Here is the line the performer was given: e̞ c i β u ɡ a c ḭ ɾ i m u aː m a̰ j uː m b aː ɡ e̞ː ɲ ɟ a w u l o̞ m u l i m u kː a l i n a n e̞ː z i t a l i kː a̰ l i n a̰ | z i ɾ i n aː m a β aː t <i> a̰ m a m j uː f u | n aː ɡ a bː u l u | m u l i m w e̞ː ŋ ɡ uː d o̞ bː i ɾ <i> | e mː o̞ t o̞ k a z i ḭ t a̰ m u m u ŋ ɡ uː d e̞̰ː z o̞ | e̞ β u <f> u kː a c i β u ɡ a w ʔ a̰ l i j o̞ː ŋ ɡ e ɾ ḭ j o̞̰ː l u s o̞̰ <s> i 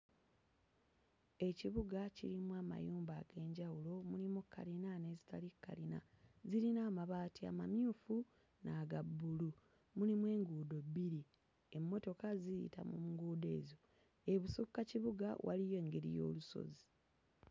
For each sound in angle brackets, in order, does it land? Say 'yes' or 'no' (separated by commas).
yes, yes, no, no